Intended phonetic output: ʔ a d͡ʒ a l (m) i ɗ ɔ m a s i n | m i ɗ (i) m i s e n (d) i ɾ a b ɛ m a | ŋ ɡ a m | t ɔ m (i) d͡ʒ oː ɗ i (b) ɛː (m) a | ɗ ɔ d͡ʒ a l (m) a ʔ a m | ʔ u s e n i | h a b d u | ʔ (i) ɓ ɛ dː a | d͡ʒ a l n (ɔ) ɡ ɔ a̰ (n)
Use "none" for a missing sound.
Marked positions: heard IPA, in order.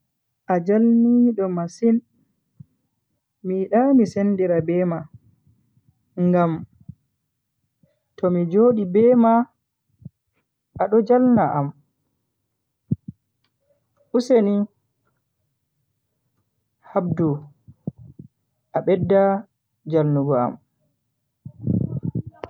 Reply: n, a, d, i, b, m, n, a, u, m

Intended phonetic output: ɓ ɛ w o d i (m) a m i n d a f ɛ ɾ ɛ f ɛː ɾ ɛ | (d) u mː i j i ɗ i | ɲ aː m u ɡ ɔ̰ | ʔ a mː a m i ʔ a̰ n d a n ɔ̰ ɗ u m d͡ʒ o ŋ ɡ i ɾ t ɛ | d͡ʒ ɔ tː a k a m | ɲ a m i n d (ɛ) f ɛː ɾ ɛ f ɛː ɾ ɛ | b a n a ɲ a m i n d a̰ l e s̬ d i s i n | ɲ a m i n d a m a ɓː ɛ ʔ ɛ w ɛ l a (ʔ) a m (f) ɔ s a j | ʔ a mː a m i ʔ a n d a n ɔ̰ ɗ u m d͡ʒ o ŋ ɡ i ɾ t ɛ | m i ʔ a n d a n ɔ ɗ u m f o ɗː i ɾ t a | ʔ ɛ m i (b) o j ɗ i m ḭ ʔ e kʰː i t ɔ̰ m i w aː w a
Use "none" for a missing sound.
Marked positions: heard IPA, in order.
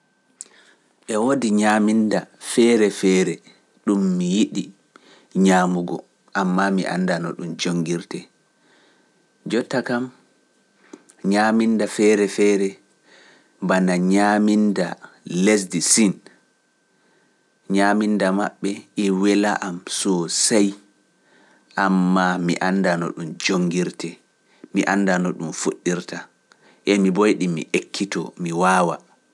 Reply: ɲ, ɗ, a, ʔ, s, b

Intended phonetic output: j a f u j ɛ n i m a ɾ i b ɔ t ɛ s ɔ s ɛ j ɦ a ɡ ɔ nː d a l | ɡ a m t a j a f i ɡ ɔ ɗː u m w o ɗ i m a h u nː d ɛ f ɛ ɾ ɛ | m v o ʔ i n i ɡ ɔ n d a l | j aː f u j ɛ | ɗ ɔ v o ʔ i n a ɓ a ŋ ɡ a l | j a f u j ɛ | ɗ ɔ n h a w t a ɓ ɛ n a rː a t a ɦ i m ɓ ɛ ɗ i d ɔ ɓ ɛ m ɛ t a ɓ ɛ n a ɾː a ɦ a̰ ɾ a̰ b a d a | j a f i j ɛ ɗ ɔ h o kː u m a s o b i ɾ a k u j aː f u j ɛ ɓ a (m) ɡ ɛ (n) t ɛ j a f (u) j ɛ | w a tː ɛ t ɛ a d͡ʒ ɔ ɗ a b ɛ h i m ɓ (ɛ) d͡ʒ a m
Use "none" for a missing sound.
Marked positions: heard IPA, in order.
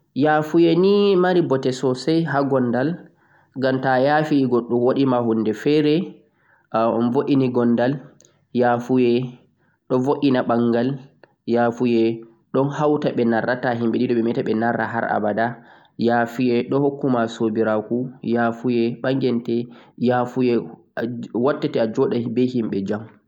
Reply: ŋ, n, u, ɛ

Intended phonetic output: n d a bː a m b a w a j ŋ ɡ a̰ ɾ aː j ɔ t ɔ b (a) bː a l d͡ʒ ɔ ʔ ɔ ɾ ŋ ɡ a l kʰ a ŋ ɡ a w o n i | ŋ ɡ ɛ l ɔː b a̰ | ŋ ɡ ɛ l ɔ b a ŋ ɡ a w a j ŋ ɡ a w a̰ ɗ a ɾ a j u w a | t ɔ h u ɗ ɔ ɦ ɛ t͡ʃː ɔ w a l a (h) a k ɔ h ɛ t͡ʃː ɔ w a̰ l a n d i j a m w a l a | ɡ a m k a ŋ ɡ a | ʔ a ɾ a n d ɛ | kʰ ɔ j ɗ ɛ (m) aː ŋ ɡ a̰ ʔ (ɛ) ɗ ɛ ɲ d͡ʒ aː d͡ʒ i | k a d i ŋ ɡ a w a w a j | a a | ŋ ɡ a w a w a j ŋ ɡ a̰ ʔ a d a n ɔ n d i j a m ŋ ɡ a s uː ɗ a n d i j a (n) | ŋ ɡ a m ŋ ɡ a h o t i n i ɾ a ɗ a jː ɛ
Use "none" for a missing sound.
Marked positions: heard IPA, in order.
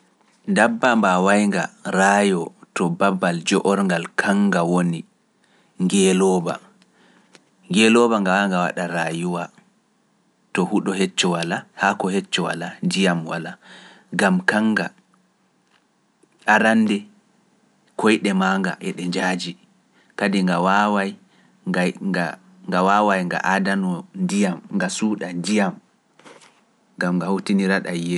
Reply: a, h, m, ɛ, m

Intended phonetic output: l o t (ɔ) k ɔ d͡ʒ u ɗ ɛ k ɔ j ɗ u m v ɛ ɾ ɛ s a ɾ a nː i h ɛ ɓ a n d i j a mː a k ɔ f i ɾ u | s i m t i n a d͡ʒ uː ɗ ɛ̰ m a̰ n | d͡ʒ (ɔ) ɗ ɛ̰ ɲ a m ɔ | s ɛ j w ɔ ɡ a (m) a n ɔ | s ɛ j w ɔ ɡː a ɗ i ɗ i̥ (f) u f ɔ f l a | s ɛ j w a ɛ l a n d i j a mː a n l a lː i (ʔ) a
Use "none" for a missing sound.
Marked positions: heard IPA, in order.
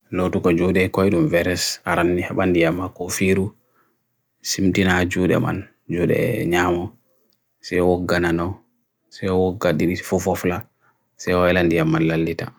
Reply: u, u, n, f, t

